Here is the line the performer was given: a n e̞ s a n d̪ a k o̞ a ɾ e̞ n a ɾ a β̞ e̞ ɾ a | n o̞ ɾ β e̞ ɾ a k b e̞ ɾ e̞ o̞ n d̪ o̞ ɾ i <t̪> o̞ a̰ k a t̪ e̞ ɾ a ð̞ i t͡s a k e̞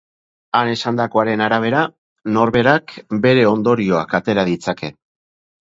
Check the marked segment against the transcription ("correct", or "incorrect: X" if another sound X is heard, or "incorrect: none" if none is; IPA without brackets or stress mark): incorrect: none